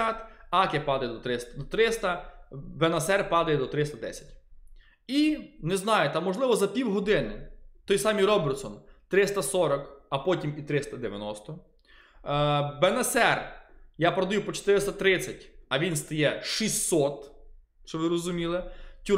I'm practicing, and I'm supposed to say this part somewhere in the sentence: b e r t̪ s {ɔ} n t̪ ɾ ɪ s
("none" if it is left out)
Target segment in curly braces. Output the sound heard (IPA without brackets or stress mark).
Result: ɔ